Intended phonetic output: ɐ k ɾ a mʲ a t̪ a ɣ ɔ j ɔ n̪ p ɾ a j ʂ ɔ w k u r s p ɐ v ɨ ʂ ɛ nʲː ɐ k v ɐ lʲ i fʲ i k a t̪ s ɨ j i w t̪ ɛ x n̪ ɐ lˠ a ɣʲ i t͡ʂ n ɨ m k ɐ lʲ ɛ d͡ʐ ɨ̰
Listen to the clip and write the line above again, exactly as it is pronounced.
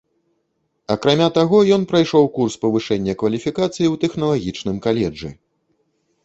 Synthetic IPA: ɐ k ɾ a mʲ a t̪ a ɣ ɔ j ɔ n̪ p ɾ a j ʂ ɔ w k u r s p ɐ v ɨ ʂ ɛ nʲː ɐ k v ɐ lʲ i fʲ i k a t̪ s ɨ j i w t̪ ɛ x n̪ ɐ lˠ a ɣʲ i t͡ʂ n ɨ m k a lʲ ɛ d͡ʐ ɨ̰